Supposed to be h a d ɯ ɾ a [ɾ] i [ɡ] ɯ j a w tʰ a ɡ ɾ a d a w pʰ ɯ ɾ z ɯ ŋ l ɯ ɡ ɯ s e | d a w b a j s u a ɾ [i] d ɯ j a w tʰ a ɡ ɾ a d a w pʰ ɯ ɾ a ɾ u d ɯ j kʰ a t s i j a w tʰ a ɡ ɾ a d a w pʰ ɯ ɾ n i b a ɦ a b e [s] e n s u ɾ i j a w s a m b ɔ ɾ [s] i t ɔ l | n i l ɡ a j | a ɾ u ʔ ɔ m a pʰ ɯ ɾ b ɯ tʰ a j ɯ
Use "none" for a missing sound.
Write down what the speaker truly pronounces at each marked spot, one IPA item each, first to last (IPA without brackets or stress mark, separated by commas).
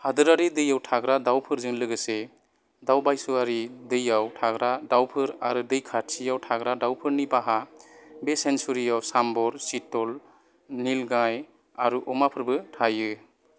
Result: ɾ, d, i, s, s